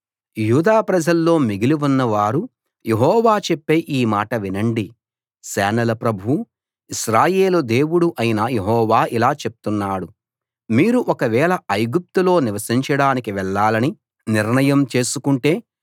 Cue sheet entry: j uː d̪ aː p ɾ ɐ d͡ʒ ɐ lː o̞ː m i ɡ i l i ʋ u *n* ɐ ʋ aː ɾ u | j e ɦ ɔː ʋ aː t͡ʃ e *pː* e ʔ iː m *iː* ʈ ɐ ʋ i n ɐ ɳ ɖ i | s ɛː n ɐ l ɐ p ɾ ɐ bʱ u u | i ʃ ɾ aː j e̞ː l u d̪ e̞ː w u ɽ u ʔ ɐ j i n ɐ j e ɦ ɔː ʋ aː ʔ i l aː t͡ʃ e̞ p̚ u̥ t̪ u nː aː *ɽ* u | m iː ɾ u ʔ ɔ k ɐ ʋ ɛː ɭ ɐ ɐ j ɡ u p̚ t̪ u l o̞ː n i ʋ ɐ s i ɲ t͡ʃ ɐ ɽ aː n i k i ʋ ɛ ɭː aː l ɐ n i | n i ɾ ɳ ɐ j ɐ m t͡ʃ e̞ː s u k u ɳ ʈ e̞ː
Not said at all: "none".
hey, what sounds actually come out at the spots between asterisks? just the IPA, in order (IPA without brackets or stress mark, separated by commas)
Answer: nː, pː, aː, ɽ